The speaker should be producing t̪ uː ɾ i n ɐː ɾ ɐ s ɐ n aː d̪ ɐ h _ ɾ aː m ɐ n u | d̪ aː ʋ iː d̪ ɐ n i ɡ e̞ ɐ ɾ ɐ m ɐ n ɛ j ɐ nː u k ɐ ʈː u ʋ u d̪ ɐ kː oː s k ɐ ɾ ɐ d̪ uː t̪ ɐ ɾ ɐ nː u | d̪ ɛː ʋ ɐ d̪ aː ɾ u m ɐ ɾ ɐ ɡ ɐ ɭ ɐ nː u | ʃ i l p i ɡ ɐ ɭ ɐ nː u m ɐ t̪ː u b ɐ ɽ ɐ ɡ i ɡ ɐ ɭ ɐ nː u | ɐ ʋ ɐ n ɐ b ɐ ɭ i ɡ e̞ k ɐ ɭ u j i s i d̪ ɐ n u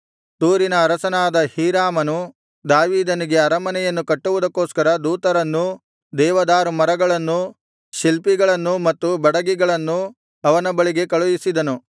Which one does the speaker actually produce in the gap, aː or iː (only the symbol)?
iː